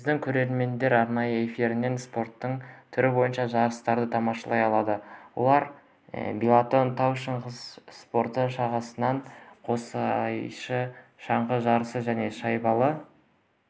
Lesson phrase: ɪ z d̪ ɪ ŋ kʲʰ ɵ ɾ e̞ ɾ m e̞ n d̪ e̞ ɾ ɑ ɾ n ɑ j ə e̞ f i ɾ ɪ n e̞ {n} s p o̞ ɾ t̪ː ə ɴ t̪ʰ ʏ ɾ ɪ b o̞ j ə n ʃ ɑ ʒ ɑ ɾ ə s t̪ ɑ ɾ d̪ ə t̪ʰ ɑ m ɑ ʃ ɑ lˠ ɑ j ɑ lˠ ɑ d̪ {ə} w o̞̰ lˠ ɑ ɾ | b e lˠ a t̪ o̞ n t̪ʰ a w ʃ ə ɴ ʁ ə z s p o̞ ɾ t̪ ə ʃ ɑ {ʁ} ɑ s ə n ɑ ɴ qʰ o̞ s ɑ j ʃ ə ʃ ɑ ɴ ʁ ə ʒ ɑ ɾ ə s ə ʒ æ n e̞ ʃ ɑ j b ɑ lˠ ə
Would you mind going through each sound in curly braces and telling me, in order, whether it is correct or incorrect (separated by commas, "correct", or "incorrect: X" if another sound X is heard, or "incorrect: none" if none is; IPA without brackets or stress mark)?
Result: correct, correct, correct